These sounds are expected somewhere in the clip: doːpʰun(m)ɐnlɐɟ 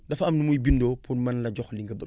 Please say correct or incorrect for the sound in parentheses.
correct